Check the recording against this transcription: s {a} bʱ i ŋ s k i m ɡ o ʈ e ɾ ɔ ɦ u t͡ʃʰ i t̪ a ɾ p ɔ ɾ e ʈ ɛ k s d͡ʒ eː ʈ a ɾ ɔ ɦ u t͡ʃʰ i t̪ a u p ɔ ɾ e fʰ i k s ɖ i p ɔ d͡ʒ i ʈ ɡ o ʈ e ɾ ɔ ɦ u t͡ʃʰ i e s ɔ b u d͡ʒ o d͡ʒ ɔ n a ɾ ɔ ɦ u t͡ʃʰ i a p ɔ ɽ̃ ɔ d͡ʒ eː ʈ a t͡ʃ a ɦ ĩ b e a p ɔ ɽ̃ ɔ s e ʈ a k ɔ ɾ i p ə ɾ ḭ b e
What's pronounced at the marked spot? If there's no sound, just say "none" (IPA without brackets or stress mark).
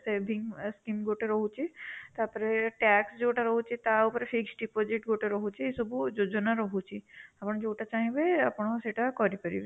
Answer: e